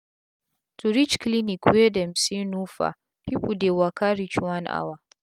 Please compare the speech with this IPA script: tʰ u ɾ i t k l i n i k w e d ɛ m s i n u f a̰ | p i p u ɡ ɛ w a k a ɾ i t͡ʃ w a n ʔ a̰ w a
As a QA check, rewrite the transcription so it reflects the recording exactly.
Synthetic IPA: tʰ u ɾ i t͡ʃ k l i n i k w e d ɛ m s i n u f a̰ | p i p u d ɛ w a k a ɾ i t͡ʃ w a n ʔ a̰ w a